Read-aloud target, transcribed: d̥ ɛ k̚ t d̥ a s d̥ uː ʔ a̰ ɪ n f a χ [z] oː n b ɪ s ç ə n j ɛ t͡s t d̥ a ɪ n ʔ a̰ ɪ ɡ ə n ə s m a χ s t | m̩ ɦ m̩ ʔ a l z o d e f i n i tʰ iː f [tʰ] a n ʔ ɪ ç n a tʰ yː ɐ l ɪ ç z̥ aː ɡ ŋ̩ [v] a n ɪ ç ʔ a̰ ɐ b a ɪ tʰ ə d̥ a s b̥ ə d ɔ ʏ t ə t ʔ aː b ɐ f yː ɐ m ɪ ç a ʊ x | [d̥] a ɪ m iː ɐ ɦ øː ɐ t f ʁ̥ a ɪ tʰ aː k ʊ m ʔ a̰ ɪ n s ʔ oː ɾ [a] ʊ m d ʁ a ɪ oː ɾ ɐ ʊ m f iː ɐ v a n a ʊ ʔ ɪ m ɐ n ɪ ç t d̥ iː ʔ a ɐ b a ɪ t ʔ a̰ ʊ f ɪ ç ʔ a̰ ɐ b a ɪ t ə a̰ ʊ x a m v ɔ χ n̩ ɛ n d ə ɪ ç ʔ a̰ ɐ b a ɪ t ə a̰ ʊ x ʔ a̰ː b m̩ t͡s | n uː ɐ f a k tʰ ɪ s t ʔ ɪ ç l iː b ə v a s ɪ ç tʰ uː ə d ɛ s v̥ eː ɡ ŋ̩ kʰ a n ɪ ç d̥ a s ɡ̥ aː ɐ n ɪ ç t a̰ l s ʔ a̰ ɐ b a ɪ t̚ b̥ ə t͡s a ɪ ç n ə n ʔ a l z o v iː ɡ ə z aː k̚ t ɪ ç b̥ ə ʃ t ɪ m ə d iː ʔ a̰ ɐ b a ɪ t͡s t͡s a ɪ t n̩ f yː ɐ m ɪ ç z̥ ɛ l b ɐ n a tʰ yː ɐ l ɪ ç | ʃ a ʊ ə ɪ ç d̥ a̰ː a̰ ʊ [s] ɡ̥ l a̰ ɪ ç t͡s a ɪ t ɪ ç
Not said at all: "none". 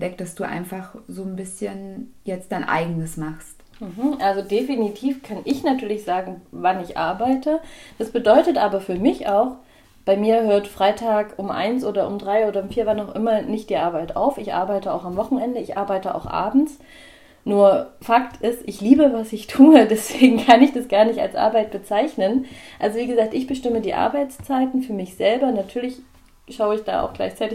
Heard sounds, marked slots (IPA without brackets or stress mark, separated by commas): z, kʰ, v, b̥, ɐ, x